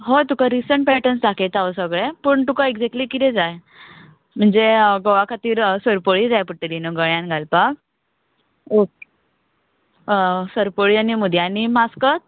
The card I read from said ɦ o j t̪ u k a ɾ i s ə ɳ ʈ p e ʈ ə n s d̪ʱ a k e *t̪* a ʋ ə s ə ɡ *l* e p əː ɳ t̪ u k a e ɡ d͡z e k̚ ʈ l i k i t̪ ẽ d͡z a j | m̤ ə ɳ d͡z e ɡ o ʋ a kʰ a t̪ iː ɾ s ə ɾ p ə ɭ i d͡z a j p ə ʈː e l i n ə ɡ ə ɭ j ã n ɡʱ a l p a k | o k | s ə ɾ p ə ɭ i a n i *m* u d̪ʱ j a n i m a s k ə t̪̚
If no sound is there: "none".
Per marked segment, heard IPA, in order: t̪, ɭ, m

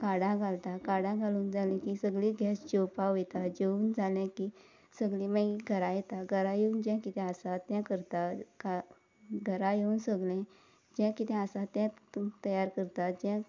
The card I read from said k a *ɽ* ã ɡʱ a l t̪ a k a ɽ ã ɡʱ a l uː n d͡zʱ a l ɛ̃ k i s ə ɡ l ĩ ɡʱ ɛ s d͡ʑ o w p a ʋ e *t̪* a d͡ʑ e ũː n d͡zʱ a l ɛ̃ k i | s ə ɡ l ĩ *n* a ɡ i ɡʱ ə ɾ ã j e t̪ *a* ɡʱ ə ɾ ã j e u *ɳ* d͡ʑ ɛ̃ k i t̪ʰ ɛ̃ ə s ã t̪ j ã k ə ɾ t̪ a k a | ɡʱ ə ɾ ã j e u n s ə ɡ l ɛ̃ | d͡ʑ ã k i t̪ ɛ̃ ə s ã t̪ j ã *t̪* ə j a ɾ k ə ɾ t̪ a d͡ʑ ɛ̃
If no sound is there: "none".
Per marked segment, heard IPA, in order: ɽ, t̪, m, a, n, t̪

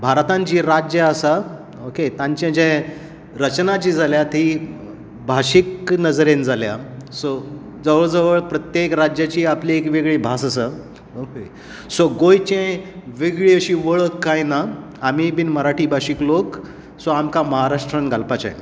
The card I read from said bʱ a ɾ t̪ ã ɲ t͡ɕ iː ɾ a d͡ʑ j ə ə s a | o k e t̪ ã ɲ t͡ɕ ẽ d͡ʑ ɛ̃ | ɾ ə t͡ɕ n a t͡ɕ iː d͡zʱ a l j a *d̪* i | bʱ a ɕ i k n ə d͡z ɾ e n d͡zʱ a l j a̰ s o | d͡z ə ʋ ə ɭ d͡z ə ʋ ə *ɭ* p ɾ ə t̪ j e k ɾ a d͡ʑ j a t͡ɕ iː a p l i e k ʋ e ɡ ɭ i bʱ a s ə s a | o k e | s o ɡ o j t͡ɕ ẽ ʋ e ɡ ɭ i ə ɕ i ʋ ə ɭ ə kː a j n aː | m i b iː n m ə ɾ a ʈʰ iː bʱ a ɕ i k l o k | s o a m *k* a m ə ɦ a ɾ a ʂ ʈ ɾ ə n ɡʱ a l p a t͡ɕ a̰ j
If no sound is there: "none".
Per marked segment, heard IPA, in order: t̪, ɭ, k

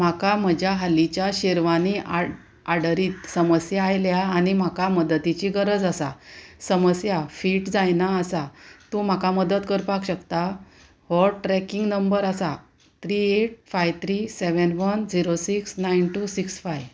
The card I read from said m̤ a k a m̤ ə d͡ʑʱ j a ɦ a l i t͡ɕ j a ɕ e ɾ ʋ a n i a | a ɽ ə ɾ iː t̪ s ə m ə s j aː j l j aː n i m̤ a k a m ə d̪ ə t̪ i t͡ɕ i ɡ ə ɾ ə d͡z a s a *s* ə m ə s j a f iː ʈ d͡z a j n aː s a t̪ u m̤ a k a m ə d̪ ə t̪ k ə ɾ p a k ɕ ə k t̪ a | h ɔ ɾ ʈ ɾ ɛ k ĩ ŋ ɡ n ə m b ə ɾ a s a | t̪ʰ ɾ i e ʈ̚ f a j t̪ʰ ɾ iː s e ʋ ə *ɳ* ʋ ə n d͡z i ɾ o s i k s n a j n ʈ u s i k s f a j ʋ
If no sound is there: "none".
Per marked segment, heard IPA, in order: s, n

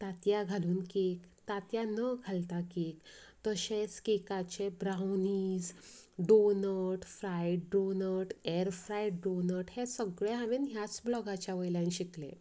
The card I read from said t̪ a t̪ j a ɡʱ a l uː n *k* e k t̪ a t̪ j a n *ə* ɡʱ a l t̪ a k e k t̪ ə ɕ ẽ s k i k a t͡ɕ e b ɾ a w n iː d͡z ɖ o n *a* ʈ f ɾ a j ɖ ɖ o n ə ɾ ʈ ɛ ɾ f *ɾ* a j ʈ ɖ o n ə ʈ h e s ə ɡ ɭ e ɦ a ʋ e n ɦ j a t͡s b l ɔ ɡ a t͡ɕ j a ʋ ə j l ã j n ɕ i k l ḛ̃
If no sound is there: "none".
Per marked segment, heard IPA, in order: k, ə, ə, ɾ

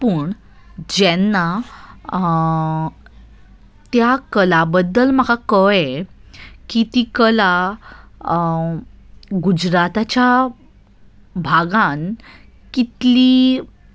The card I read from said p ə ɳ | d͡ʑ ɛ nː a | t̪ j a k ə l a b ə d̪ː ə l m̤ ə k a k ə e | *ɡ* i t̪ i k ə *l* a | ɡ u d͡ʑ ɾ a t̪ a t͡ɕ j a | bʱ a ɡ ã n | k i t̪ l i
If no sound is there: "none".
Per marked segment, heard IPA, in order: k, l

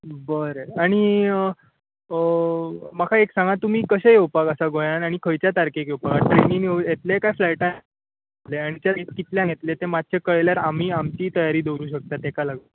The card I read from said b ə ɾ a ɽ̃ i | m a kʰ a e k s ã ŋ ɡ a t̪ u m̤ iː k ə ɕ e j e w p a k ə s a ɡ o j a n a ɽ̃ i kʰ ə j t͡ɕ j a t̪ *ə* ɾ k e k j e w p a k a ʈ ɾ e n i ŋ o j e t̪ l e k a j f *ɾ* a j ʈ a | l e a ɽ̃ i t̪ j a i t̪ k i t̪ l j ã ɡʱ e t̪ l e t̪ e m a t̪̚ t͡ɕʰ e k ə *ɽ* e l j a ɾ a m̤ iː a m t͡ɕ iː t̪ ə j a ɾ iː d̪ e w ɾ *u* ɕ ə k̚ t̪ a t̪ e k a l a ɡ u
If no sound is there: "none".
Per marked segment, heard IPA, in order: a, l, ɭ, uː

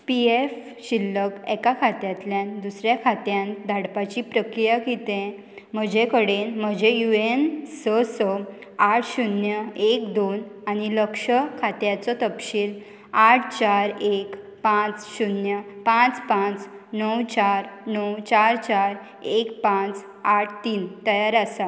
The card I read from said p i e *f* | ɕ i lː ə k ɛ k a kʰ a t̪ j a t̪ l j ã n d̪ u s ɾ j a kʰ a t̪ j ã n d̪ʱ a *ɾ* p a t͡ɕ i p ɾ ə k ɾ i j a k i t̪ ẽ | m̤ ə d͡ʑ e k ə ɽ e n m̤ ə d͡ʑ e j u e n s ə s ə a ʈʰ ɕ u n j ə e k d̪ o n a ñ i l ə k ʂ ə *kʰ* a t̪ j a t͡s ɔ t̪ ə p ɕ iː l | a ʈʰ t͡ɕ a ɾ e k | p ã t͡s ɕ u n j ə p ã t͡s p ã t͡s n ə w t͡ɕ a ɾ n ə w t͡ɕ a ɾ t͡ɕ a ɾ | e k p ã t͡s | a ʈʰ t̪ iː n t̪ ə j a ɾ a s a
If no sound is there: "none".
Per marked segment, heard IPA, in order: f, ɽ, kʰ

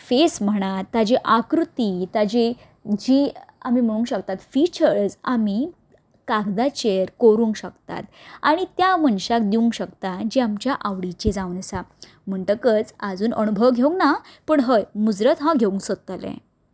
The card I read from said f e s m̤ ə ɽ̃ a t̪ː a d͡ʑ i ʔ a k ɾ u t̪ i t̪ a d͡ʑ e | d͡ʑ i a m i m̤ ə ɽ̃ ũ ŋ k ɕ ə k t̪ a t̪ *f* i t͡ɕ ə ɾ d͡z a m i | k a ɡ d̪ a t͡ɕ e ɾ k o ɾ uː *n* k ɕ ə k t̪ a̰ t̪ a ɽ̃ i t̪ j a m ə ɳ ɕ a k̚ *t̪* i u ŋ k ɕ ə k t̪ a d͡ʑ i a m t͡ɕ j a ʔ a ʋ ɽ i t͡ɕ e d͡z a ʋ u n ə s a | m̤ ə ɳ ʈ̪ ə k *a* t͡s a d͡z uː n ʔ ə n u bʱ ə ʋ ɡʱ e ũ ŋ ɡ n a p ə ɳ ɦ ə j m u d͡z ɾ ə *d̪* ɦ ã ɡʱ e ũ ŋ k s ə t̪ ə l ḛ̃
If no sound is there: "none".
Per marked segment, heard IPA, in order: f, ŋ, d̪, ə, t̪

